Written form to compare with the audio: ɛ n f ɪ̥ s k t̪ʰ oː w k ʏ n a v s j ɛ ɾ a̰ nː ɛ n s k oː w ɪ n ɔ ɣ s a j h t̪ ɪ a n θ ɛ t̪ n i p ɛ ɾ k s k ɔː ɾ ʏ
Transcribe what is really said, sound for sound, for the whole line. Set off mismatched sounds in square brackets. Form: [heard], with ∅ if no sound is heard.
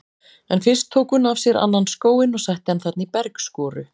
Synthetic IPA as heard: ɛ n f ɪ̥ s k t̪ʰ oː w k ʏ n a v s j ɛ ɾ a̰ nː [a] n s k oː w ɪ n ɔ ɣ s a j h t̪ ɪ a n θ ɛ t̪ n i p ɛ ɾ k s k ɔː ɾ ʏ